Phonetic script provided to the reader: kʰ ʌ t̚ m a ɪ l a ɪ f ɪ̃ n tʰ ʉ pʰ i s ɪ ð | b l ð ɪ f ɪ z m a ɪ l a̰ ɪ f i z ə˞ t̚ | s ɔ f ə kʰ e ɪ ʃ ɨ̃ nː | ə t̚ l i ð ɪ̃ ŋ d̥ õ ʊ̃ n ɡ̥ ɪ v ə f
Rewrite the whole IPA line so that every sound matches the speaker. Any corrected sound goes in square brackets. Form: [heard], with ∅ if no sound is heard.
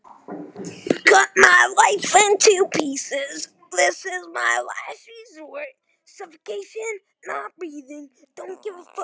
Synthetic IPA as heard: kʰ ʌ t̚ m a ɪ l a ɪ f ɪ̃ n tʰ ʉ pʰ i s ɪ [z] | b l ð ɪ [s] ɪ z m a ɪ l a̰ ɪ f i z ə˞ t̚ | s [ʌ] f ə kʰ e ɪ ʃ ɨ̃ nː | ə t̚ [ɹ] i ð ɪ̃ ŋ d̥ õ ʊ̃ n ɡ̥ ɪ v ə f